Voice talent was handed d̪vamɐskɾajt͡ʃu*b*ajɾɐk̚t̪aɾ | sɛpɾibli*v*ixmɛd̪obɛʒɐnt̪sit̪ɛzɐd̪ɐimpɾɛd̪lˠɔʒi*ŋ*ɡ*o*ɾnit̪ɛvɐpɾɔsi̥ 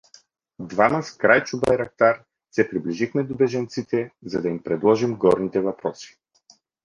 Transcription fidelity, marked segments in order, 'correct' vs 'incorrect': correct, incorrect, incorrect, incorrect

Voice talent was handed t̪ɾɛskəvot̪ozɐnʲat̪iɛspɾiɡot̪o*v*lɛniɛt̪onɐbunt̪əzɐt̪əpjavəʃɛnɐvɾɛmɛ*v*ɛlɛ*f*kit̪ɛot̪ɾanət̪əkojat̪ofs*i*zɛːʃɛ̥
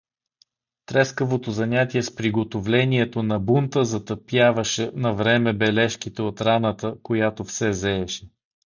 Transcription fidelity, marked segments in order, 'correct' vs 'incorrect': correct, incorrect, incorrect, incorrect

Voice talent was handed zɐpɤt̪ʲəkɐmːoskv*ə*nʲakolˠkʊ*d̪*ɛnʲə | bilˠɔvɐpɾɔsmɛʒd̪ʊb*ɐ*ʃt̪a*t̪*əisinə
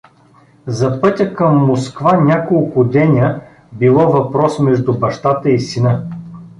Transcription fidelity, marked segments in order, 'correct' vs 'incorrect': incorrect, correct, correct, correct

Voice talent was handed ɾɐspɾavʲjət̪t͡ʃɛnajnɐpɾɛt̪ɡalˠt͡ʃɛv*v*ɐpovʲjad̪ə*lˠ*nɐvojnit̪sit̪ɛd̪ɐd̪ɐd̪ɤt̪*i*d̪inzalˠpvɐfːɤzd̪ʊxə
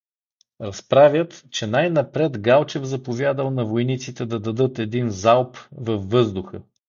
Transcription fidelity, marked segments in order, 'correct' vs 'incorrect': incorrect, correct, incorrect

